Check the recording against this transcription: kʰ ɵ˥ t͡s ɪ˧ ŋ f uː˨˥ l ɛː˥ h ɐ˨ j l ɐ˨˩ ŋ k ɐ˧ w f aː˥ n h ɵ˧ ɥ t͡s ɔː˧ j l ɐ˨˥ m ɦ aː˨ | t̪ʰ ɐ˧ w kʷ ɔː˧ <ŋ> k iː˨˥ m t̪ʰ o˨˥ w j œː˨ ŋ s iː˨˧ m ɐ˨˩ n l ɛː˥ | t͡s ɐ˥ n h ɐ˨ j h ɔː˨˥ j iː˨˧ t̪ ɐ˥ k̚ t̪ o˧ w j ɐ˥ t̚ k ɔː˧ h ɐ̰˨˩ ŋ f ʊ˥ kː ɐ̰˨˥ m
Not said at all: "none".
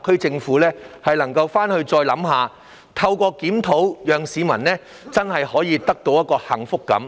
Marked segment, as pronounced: none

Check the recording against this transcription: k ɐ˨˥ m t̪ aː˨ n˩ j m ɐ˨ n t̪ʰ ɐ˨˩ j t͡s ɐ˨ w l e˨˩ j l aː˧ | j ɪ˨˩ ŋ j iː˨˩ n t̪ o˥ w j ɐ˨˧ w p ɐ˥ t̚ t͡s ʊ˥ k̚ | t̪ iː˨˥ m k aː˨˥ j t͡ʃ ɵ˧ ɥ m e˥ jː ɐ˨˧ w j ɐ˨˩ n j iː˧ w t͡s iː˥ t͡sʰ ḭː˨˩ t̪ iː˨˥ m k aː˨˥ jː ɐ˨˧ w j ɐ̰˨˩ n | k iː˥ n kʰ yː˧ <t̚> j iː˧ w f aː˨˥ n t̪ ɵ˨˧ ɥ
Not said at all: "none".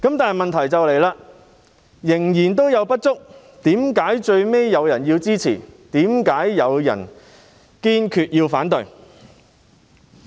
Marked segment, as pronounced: t̚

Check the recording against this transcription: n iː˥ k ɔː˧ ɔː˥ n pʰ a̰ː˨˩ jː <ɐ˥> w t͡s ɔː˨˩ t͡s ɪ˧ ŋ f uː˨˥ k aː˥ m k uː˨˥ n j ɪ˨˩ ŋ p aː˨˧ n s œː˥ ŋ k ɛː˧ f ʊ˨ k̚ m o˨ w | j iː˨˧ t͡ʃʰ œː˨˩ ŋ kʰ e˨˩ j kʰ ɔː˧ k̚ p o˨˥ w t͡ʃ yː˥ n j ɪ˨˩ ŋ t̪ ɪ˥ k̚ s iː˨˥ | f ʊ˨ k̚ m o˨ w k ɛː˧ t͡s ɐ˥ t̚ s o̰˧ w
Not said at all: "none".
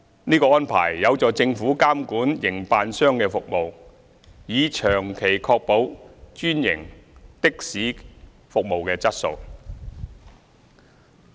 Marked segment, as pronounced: ɐ˨˧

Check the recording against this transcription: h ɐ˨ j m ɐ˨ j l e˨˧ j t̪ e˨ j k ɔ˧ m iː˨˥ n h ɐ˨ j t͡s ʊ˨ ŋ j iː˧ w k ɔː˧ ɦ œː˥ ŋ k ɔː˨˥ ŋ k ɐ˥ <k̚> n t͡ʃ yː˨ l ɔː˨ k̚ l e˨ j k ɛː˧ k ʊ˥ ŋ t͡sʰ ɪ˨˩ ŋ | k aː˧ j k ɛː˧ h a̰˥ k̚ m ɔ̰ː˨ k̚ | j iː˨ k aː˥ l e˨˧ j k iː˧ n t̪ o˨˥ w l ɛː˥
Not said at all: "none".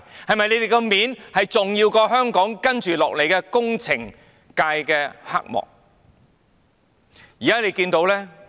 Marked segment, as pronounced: none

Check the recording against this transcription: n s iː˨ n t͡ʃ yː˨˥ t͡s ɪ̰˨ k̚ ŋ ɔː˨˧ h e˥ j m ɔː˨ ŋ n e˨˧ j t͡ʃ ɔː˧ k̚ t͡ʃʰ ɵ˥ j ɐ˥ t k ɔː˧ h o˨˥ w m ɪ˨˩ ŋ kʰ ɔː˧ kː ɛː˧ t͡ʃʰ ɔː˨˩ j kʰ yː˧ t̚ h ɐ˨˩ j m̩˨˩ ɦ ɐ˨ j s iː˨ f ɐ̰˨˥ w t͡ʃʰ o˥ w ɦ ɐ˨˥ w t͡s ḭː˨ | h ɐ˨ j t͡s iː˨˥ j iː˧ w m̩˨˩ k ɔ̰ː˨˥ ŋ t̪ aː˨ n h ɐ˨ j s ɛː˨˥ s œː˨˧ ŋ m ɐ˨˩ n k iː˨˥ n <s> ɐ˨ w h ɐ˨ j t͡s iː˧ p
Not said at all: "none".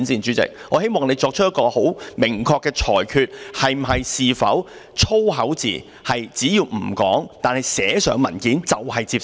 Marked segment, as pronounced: t͡s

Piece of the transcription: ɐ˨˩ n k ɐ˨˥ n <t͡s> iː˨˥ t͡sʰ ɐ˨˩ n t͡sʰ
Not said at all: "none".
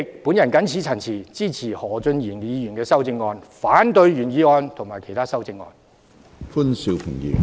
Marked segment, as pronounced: t͡sʰ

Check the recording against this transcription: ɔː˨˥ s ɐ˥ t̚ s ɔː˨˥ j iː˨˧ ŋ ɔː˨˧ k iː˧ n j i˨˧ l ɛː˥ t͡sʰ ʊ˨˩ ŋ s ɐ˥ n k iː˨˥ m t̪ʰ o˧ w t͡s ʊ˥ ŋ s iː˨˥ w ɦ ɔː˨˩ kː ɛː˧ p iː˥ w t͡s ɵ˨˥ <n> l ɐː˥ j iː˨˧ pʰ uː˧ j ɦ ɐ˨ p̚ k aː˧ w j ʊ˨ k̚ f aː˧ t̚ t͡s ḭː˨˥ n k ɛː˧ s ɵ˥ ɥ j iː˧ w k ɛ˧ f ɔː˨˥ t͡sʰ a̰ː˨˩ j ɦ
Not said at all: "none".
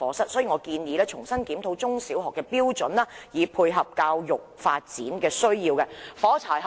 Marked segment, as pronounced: n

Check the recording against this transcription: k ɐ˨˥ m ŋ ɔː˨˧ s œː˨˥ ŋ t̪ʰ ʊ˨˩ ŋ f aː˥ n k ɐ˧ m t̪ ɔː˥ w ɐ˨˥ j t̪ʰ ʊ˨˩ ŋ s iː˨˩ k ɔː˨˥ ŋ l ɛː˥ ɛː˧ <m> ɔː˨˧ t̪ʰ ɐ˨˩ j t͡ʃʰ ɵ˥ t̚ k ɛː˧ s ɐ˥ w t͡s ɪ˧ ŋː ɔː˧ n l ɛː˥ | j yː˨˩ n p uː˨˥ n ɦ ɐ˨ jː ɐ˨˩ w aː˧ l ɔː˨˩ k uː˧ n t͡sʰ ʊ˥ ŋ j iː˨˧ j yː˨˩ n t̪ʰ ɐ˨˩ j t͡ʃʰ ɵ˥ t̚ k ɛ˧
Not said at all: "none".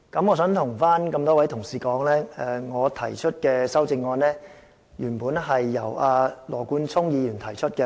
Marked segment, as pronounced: ŋ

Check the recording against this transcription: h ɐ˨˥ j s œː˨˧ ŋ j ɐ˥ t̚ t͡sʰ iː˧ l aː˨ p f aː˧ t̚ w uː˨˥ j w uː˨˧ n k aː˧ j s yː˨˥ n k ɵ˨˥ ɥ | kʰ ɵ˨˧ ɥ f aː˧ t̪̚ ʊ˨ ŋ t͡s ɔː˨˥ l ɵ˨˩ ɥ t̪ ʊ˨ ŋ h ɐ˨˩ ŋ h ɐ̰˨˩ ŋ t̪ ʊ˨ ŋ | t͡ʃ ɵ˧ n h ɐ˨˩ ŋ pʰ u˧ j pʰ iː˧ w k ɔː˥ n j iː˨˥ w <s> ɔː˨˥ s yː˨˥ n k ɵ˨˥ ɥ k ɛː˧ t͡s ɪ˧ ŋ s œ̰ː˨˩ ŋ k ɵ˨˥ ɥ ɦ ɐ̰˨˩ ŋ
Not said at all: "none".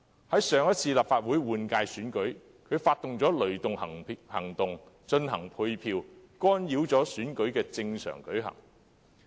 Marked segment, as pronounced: t͡s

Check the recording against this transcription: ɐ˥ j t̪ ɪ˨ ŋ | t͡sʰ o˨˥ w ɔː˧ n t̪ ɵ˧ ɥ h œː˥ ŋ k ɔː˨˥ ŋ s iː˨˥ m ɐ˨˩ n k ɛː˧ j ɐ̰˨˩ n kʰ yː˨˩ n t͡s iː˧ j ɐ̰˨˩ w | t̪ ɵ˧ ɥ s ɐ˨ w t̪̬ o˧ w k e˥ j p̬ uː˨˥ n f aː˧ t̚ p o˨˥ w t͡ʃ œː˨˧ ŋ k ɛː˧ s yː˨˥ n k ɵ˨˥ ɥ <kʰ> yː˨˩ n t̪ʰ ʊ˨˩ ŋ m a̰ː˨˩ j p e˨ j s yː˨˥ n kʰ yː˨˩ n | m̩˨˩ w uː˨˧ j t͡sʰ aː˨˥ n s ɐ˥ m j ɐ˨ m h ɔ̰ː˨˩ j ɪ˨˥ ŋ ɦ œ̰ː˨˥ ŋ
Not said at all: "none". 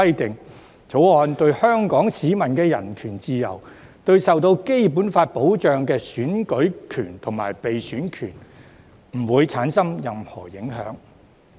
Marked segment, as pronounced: kʰ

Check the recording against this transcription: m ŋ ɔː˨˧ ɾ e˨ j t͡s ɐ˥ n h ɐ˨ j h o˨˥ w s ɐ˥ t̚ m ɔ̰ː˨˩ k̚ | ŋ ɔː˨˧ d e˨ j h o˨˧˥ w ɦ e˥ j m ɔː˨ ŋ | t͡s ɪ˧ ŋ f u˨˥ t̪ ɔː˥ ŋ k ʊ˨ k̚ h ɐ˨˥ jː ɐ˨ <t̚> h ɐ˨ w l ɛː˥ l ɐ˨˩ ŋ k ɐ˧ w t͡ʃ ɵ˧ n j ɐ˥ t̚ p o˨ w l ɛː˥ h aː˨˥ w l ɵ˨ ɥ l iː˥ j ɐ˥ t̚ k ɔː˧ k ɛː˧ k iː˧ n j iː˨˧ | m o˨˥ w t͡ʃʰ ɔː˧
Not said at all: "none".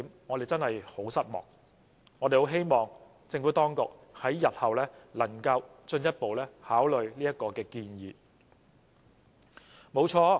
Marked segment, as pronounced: t̚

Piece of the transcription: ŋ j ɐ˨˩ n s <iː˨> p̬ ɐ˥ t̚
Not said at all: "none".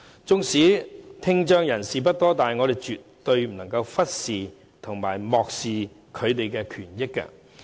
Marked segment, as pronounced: iː˨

